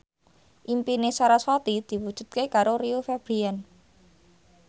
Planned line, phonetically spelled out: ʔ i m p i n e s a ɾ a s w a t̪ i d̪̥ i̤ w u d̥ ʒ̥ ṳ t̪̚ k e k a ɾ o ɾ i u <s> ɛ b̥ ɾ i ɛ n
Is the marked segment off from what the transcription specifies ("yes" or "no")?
yes